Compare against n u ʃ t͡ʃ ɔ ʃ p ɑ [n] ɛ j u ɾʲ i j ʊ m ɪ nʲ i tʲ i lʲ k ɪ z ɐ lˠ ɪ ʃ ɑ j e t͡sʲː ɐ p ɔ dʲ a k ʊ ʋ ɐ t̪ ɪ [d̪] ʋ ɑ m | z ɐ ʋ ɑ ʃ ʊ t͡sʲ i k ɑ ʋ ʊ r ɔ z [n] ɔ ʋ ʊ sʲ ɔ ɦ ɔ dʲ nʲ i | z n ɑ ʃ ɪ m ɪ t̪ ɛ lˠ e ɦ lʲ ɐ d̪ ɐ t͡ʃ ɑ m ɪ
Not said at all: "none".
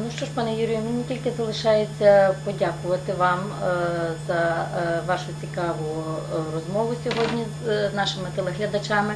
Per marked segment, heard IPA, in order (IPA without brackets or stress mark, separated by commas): n, none, m